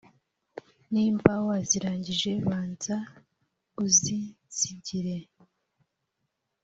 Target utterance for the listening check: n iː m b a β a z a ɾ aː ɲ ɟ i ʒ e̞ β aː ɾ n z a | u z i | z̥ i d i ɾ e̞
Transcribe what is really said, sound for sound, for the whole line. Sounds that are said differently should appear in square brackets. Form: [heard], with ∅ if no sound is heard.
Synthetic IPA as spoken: n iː m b a [w] a z [i] ɾ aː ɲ ɟ i ʒ e̞ β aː [∅] n z a | u z i | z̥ i [ɟ] i ɾ e̞